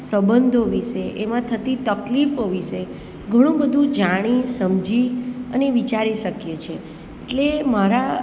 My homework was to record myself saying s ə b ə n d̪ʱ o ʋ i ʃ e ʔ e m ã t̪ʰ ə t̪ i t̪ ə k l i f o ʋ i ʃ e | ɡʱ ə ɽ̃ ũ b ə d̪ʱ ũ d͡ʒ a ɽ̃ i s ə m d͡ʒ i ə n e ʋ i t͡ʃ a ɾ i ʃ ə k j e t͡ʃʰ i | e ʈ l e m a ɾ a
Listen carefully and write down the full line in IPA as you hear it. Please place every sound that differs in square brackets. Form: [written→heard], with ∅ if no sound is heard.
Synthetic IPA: s ə b ə n d̪ʱ o ʋ i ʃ e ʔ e m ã t̪ʰ ə t̪ i t̪ ə k l i f o ʋ i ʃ e | ɡʱ ə ɽ̃ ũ b ə d̪ʱ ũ d͡ʒ a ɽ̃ i s ə m d͡ʒ i ə n e ʋ i t͡ʃ a ɾ i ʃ ə k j e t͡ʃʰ [i→e] | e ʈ l e m a ɾ a